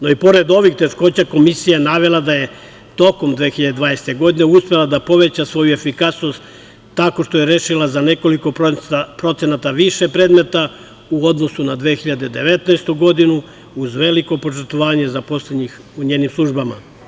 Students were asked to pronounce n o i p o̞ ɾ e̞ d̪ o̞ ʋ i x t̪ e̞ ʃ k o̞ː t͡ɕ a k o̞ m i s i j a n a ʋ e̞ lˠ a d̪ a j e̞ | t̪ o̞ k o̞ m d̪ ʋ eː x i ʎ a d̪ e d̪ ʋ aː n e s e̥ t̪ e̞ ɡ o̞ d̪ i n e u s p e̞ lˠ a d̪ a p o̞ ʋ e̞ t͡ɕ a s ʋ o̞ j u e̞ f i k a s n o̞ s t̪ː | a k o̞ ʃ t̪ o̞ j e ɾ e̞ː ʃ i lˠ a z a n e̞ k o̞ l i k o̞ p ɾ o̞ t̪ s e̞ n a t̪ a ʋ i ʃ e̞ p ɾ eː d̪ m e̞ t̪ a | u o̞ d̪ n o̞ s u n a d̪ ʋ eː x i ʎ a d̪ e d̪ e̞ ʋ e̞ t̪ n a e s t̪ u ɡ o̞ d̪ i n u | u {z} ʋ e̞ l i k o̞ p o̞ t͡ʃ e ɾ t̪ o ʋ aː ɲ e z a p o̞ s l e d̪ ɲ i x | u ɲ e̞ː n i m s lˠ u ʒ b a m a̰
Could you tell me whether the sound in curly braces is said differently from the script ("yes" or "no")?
no